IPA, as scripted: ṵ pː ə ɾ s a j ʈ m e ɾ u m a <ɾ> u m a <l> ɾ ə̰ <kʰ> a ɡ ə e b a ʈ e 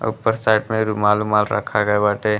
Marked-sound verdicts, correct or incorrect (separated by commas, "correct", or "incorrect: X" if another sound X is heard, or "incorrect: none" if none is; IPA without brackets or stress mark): incorrect: l, correct, correct